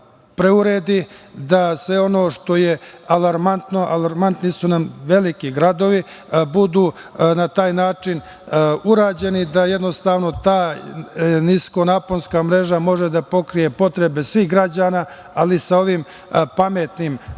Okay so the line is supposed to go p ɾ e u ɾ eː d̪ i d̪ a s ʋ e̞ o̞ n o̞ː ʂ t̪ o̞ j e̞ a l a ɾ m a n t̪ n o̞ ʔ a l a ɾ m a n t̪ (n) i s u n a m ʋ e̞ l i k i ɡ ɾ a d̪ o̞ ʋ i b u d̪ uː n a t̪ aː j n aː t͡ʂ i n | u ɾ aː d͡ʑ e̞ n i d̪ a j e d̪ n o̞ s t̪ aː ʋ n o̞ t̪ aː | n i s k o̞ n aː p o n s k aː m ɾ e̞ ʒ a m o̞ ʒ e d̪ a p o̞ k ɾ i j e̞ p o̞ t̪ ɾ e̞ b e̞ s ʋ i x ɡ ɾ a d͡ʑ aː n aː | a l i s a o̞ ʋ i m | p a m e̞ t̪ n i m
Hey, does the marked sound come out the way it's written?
yes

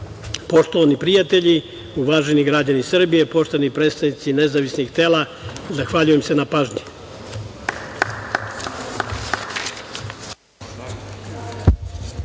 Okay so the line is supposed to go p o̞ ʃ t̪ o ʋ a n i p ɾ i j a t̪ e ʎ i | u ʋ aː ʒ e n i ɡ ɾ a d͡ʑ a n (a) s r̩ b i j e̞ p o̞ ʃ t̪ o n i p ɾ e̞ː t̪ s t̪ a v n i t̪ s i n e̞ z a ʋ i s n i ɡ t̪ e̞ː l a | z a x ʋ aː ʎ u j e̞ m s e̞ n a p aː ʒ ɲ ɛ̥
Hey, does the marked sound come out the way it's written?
no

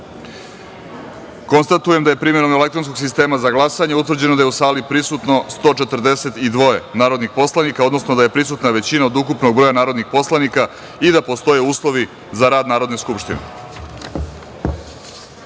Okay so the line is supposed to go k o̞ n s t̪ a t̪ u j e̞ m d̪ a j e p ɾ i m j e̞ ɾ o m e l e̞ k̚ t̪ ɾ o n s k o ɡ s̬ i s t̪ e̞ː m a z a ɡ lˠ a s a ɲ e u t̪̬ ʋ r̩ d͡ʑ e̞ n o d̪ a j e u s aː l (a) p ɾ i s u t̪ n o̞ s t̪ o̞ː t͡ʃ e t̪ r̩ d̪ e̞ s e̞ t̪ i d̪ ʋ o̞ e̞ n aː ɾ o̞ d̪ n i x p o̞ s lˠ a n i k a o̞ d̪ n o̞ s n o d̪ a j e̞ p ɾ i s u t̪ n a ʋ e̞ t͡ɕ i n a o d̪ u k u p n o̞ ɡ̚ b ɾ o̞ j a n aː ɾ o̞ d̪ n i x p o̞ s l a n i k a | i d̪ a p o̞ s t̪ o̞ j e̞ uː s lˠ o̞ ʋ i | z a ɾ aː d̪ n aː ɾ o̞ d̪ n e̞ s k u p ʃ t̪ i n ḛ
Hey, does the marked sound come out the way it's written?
no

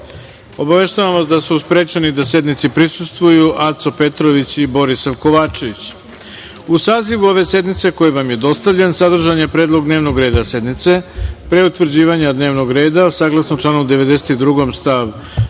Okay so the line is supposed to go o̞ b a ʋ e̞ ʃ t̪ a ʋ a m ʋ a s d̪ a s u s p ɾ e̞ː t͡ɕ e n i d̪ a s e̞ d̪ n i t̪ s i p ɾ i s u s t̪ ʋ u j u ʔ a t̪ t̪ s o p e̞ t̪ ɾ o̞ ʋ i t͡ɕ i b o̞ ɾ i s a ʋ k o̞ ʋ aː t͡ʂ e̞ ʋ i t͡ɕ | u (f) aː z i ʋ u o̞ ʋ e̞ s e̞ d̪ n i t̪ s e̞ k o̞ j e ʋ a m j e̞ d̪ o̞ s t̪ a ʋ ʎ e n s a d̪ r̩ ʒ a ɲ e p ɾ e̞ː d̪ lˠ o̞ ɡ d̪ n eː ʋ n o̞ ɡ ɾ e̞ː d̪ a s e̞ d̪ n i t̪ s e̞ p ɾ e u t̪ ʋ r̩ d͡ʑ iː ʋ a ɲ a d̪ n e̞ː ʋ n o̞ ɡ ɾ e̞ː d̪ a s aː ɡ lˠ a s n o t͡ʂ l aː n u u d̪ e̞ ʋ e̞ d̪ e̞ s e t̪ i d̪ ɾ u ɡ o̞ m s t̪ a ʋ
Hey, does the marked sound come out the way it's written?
no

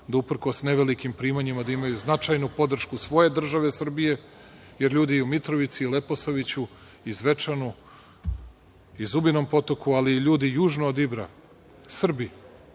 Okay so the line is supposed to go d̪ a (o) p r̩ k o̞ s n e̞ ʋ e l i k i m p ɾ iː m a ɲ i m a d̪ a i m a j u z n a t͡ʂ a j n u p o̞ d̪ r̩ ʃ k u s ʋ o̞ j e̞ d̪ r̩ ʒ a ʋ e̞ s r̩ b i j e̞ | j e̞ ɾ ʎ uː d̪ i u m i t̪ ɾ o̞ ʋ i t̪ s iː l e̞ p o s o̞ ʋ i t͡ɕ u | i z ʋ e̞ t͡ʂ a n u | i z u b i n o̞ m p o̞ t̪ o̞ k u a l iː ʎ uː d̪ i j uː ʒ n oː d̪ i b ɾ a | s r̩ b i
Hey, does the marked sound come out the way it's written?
no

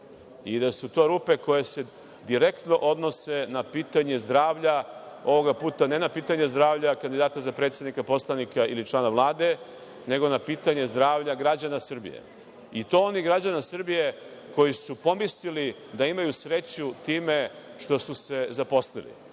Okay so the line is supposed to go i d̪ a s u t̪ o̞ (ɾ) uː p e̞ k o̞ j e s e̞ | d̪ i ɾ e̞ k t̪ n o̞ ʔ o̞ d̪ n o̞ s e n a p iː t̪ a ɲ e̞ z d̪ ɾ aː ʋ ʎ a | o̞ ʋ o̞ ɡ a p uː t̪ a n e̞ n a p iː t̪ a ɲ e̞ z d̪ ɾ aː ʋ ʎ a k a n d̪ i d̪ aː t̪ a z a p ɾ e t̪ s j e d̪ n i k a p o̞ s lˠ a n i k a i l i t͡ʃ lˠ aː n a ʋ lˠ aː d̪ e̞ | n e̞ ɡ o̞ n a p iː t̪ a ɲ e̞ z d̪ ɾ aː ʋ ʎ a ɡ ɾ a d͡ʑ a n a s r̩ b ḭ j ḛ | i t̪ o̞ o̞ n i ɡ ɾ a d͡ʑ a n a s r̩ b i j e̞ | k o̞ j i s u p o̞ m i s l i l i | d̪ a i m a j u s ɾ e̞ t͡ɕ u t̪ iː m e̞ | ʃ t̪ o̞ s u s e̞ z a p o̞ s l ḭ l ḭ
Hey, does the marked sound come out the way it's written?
yes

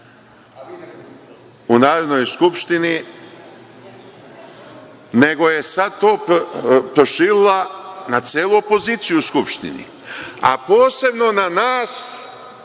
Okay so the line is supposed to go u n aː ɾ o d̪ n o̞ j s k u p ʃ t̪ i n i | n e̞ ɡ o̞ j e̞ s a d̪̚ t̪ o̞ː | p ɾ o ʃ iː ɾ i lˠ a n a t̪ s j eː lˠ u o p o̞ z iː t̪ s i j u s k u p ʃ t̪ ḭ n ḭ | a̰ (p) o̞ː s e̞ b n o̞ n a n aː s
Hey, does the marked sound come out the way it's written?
yes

